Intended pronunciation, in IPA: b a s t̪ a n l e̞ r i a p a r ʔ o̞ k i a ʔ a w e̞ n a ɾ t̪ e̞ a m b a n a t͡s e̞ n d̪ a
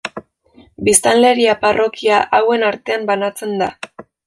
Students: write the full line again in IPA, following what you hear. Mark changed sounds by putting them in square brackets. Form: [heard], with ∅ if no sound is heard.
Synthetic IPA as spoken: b [i] s t̪ a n l e̞ [ɾ] i a p a r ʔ o̞ k i a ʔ a w e̞ n a ɾ t̪ e̞ a m b a n a t͡s e̞ n d̪ a